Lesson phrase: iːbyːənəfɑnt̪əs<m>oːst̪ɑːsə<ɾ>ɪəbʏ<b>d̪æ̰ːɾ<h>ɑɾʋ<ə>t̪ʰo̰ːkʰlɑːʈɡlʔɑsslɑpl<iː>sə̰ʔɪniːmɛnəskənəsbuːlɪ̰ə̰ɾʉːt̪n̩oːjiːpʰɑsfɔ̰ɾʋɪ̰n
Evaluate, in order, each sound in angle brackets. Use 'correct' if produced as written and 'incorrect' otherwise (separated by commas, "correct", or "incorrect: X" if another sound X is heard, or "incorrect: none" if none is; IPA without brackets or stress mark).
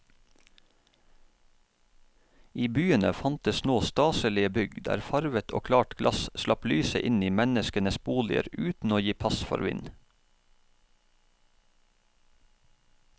incorrect: n, incorrect: l, incorrect: ɡ, incorrect: f, correct, incorrect: yː